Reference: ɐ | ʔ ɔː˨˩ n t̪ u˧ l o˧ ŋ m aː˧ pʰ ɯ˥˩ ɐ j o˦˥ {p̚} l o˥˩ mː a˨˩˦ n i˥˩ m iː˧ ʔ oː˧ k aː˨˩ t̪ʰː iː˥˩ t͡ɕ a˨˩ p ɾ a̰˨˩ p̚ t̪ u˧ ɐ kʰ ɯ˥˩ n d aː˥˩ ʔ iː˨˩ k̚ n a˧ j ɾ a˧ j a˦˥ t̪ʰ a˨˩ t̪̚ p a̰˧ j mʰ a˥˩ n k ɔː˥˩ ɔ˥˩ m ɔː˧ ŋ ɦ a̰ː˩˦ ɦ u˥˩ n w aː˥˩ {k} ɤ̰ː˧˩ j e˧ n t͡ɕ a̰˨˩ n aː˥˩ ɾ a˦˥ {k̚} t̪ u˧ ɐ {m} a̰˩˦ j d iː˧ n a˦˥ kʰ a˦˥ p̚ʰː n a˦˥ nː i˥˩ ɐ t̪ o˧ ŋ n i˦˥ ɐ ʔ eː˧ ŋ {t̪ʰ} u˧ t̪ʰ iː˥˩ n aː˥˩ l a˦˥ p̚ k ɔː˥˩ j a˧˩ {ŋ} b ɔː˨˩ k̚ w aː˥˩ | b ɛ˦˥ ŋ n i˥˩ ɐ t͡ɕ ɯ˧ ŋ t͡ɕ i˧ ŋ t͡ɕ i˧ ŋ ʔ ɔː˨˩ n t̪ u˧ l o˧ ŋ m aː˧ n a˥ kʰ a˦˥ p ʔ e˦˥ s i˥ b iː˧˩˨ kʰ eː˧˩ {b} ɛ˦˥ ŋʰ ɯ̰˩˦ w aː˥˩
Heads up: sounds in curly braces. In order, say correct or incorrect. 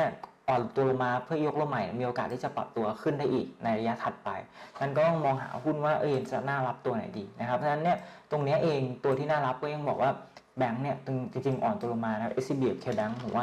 incorrect, incorrect, incorrect, incorrect, incorrect, correct, correct

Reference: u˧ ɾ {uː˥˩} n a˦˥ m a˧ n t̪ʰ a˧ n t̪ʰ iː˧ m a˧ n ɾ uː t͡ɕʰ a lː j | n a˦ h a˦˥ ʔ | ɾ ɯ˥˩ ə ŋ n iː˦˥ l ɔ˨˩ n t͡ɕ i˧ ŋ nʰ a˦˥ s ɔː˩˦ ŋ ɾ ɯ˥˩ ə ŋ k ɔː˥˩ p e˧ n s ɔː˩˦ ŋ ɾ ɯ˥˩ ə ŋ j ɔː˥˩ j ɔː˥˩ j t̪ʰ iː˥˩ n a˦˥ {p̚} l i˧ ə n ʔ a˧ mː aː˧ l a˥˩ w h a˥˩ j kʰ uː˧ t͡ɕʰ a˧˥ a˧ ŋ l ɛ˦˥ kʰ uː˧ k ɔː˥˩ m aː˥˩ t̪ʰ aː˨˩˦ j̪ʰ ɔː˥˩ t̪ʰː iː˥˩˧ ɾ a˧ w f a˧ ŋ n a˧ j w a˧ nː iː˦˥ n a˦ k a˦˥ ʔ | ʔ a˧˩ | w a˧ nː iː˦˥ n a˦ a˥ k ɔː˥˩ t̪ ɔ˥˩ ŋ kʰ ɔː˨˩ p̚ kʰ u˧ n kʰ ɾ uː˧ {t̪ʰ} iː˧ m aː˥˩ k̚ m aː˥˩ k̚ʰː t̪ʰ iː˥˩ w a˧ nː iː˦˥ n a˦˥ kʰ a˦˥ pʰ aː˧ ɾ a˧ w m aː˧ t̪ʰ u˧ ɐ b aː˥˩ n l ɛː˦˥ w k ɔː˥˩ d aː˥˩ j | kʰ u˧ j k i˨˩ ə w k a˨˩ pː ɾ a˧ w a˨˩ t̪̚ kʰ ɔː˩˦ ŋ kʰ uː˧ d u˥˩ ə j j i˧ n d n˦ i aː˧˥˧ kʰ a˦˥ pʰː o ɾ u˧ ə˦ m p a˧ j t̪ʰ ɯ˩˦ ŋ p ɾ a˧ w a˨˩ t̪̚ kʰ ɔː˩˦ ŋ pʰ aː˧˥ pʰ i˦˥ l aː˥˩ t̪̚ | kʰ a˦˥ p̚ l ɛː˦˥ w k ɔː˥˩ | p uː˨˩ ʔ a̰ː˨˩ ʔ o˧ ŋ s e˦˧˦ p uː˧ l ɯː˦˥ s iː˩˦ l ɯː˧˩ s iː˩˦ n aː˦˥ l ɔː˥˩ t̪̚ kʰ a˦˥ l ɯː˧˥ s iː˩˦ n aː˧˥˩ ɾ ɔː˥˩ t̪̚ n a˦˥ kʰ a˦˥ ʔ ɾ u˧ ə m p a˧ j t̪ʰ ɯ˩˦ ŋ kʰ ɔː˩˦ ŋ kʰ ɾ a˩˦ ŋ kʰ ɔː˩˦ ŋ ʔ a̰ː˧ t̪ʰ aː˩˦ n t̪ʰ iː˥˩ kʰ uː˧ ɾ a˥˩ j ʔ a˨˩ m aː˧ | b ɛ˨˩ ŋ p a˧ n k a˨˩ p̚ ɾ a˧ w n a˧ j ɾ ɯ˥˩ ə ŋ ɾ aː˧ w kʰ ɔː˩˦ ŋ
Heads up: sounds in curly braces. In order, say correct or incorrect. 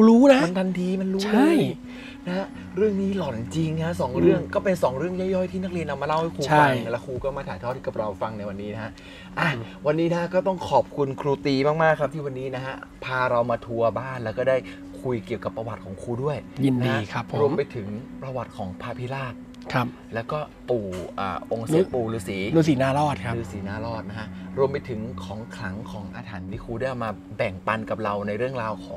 incorrect, incorrect, incorrect

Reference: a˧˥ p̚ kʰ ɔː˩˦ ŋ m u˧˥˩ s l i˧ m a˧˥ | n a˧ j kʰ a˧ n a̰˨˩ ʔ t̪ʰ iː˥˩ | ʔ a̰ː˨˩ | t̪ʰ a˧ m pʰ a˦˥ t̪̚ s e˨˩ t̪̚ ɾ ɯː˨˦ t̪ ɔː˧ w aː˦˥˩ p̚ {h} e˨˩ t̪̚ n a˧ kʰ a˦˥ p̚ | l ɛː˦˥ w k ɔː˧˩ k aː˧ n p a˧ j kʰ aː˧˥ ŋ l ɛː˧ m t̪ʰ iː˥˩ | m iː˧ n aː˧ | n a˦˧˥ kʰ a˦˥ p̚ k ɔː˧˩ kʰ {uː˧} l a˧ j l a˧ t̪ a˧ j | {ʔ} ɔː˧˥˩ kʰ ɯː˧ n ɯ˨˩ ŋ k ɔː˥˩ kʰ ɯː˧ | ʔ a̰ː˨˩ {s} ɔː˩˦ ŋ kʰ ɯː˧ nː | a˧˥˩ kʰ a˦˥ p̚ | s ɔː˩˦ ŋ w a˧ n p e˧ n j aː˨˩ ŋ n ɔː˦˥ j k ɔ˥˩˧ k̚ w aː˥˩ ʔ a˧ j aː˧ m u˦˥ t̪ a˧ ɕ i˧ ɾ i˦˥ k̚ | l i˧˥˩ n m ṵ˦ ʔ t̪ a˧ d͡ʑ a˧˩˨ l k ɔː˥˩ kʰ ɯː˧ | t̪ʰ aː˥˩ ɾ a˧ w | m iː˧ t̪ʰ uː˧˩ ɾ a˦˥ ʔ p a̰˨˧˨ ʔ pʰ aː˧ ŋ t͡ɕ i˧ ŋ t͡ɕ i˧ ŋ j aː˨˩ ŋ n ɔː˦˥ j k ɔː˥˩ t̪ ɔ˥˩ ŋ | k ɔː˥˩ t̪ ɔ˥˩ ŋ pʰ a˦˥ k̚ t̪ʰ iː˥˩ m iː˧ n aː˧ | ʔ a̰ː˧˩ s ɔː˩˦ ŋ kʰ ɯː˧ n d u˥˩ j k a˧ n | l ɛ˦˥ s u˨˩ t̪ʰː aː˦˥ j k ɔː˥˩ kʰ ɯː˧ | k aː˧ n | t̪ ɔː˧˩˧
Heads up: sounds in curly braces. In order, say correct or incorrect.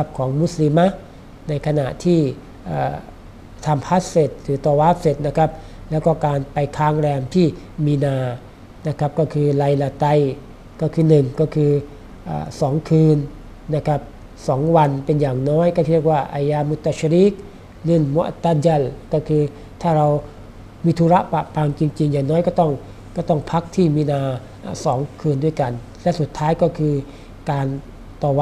incorrect, incorrect, incorrect, correct

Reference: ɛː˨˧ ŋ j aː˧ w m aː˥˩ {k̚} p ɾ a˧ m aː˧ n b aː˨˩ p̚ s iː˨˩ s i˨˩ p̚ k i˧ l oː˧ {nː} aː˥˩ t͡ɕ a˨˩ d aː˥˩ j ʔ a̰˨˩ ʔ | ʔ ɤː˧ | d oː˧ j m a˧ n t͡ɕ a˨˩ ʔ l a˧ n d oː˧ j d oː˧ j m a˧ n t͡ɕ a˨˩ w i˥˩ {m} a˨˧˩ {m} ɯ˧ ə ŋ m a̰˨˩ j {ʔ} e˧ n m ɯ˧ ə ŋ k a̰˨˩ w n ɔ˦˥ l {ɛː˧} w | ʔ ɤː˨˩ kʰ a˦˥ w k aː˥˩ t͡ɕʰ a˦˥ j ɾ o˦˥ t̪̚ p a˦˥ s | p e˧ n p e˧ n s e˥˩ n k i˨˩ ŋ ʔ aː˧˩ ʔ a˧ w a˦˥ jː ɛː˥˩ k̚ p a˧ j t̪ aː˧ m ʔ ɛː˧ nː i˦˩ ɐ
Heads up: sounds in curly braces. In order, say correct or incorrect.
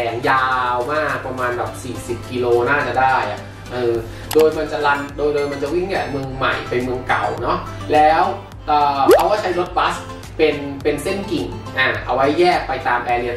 correct, incorrect, incorrect, correct, incorrect, incorrect

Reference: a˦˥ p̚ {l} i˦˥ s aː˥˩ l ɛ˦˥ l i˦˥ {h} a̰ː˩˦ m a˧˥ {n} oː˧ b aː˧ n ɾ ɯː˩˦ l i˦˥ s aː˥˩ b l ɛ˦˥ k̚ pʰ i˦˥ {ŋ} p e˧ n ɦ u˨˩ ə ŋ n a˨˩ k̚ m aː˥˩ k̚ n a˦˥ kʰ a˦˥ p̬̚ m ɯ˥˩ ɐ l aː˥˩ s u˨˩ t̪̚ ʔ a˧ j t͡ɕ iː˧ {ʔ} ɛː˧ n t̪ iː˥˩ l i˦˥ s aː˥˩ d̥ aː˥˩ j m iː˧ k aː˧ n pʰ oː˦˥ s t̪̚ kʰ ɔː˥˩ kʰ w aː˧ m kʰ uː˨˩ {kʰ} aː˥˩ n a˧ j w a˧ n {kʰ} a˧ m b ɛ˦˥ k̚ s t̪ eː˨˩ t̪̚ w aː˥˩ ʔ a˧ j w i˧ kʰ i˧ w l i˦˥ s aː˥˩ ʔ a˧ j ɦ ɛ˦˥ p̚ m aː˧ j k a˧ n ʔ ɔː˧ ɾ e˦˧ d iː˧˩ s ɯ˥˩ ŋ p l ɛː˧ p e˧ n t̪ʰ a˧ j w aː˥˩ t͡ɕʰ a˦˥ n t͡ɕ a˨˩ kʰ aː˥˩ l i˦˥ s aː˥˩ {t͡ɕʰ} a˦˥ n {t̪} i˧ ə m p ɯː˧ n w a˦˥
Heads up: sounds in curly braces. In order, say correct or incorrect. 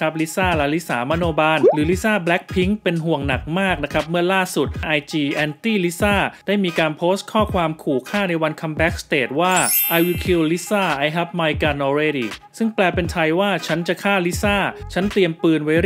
correct, incorrect, correct, correct, correct, correct, correct, correct, correct

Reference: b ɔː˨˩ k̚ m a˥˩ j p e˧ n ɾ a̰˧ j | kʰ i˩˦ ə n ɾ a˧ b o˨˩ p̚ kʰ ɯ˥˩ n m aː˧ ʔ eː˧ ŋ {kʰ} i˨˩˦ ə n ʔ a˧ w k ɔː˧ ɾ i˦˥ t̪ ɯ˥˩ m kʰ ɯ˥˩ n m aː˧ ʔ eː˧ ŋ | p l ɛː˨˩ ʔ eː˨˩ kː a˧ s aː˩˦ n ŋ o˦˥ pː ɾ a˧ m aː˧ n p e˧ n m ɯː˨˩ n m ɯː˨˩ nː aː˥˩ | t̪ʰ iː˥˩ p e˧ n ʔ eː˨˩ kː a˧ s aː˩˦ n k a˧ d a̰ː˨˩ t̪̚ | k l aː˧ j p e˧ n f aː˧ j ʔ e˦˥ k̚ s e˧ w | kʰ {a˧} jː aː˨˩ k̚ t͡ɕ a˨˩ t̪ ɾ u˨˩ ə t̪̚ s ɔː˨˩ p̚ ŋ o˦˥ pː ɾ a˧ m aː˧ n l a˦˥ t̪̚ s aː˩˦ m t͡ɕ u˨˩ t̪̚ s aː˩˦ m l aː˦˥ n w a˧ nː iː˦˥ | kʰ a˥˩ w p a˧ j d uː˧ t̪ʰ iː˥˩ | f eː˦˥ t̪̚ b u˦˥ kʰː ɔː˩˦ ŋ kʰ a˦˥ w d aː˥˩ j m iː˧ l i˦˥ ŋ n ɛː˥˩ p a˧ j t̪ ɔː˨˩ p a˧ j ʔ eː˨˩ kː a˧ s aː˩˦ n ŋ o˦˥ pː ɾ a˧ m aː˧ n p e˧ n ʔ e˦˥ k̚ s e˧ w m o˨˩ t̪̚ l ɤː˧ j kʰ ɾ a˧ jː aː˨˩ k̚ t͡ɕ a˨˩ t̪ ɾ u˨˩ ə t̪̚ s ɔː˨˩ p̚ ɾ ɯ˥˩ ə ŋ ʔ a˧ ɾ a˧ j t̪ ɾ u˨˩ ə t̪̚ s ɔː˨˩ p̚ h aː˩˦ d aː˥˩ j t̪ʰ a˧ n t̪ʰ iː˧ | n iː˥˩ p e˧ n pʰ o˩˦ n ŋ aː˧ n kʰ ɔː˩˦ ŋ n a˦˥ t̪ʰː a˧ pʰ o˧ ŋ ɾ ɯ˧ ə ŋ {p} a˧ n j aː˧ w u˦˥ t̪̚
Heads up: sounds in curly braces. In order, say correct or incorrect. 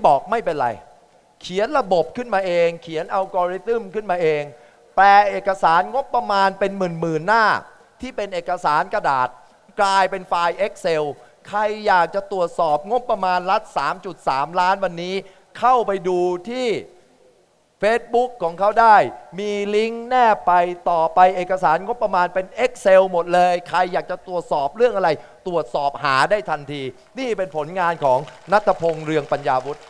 correct, correct, correct

